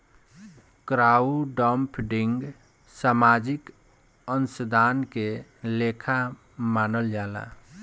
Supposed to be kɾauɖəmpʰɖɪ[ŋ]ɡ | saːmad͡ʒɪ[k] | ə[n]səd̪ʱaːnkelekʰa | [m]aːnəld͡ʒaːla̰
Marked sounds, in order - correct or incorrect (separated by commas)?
correct, correct, correct, correct